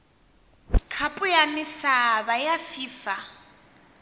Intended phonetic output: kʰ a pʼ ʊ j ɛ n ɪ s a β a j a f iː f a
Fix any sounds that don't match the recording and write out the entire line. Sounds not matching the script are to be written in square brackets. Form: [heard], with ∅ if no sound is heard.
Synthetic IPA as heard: kʰ a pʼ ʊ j [a] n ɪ s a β a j a f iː f a